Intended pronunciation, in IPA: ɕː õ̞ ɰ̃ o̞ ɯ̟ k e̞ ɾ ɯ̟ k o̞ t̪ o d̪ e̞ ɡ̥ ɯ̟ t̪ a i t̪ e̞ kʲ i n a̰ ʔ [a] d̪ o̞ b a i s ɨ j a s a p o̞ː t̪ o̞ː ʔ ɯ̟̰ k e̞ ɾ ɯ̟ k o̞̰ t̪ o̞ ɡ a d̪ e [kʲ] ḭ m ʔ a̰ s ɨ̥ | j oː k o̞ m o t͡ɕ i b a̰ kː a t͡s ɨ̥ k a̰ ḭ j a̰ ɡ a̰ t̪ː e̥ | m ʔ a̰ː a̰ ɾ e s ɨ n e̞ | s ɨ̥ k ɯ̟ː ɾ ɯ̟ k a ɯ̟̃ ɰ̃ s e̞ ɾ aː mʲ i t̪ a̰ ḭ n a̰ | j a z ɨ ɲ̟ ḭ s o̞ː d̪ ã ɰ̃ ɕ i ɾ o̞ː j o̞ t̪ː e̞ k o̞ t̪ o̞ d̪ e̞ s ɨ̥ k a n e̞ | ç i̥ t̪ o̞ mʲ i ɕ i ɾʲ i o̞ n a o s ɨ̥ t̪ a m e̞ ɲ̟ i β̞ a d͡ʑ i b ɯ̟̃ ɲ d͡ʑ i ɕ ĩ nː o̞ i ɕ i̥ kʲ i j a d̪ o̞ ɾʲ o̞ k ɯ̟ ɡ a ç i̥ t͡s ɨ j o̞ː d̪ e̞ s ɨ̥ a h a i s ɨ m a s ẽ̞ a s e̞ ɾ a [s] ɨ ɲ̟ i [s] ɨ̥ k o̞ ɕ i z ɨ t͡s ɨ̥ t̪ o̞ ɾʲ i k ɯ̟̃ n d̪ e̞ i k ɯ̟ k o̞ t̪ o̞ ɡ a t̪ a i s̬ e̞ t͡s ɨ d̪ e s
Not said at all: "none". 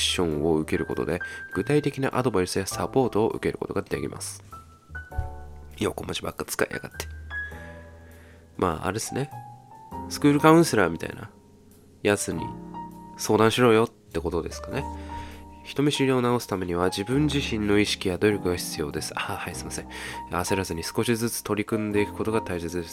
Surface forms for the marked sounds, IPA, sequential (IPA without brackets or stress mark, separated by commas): a, kʲ, z, s